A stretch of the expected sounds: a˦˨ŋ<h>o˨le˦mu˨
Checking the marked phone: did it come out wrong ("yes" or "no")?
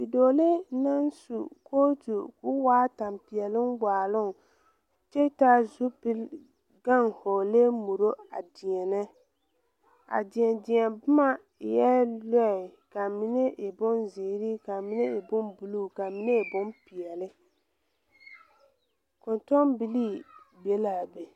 no